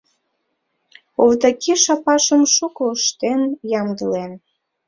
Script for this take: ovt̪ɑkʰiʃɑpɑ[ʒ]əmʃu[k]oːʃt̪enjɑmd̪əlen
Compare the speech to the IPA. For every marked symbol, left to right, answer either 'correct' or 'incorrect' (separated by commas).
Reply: incorrect, correct